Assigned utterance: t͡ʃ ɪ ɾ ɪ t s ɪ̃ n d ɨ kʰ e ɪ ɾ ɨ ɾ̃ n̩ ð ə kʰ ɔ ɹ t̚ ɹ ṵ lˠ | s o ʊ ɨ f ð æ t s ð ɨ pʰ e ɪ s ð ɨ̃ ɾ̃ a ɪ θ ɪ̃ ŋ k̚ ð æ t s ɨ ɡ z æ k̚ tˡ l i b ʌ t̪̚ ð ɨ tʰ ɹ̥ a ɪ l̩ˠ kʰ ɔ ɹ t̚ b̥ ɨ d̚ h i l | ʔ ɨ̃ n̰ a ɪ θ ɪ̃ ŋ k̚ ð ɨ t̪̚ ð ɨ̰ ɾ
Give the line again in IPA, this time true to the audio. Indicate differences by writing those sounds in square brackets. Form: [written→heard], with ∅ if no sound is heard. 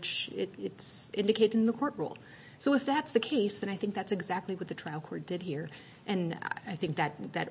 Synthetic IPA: t͡ʃ ɪ ɾ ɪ t s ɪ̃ n d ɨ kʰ e ɪ ɾ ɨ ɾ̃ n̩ ð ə kʰ ɔ ɹ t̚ ɹ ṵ lˠ | s o ʊ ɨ f ð æ t s ð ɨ [pʰ→kʰ] e ɪ s ð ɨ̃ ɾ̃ a ɪ θ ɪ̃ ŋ k̚ ð æ t s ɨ ɡ z æ k̚ tˡ l i [b→w] ʌ t̪̚ ð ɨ tʰ ɹ̥ a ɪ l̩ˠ kʰ ɔ ɹ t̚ [b̥→d̥] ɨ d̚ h i [l→ɹ] | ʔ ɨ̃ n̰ a ɪ θ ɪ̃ ŋ k̚ ð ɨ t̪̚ ð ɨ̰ ɾ